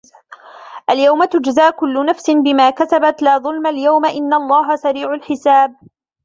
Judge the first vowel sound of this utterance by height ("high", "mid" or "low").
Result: low